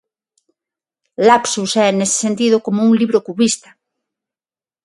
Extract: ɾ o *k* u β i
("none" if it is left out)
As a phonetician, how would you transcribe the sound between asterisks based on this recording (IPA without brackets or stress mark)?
k